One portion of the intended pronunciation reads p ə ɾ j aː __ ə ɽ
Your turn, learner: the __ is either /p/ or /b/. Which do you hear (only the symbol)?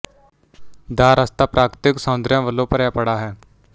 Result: p